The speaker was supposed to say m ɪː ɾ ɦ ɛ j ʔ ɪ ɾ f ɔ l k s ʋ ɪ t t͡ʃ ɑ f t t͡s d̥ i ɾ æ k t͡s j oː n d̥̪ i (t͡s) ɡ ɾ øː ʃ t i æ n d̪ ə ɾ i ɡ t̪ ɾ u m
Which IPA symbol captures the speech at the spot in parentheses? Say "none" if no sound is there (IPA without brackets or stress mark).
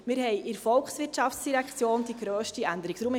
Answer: none